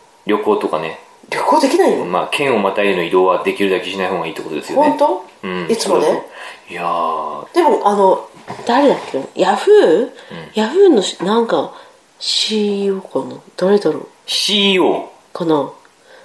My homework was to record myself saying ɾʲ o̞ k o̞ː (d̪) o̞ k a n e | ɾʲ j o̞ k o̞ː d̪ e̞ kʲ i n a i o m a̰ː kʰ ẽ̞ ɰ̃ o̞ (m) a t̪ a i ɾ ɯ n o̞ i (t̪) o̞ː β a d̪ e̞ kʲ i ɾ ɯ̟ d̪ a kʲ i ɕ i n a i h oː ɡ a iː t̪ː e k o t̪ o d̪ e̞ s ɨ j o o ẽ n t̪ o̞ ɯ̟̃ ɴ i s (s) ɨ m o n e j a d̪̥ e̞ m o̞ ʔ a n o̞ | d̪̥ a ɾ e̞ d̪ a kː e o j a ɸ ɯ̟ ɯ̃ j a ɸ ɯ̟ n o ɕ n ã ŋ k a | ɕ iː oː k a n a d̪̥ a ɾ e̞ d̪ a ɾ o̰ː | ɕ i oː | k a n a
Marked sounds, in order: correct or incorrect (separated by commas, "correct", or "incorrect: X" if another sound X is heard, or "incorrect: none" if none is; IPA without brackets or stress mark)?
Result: incorrect: t̪, correct, incorrect: d̪, incorrect: t͡s